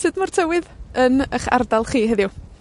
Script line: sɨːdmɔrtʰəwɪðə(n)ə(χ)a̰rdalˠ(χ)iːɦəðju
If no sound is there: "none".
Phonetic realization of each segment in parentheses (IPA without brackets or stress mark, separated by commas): n, χ, χ